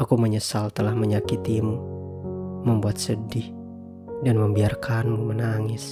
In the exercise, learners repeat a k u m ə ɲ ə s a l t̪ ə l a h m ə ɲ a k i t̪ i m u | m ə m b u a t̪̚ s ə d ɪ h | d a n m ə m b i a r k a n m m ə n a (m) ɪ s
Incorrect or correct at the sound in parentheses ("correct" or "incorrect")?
incorrect